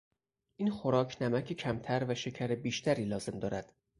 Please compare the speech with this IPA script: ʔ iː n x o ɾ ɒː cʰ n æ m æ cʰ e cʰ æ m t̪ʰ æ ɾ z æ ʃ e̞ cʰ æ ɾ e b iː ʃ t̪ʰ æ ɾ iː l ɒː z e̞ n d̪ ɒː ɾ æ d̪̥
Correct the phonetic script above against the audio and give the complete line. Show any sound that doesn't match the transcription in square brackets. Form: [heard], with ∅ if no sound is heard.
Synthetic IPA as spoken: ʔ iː n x o ɾ ɒː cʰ n æ m æ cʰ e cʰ æ m t̪ʰ æ ɾ [v] æ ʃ e̞ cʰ æ ɾ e b iː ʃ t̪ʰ æ ɾ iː l ɒː z e̞ [m] d̪ ɒː ɾ æ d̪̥